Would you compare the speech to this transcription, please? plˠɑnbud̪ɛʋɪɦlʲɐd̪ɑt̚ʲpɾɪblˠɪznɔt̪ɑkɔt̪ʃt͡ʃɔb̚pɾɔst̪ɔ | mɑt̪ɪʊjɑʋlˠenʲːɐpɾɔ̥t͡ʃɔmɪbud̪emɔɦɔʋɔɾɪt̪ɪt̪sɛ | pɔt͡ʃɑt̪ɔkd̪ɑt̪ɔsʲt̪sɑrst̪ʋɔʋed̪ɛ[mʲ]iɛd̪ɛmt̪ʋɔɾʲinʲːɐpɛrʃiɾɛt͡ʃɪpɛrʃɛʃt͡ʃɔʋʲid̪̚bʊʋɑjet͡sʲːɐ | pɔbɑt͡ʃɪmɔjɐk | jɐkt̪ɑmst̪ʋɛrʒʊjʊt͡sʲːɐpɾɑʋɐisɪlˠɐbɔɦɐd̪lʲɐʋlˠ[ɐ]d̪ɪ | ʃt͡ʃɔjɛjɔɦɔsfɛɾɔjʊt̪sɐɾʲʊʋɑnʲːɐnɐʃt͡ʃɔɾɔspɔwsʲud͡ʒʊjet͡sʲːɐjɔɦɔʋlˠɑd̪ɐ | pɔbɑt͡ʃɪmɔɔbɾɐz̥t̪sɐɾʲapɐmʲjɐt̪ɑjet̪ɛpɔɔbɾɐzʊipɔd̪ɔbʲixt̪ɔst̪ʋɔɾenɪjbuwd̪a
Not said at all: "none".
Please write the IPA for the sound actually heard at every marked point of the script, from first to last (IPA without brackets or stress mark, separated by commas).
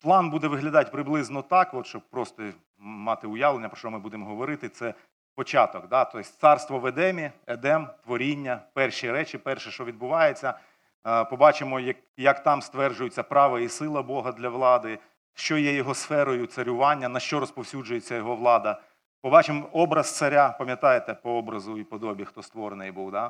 mʲ, ɑ